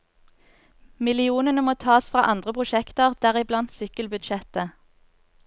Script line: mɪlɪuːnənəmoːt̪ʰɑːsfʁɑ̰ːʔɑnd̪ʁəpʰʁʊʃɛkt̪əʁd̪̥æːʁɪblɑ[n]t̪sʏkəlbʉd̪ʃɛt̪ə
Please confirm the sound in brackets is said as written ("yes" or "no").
yes